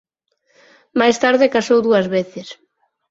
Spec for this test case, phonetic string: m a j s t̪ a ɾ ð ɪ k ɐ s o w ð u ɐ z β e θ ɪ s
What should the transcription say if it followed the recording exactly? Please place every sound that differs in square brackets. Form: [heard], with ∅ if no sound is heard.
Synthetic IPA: m a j s t̪ a ɾ ð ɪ k [a] s o w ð u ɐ z β e θ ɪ s